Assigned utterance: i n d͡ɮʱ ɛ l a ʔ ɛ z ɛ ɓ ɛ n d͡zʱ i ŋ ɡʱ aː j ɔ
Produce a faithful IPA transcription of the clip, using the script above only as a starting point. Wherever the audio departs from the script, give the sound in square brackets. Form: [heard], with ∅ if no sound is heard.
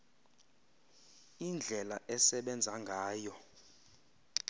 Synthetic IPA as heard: i n d͡ɮʱ ɛ l a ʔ ɛ [s] ɛ ɓ ɛ n d͡zʱ [a] ŋ ɡʱ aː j ɔ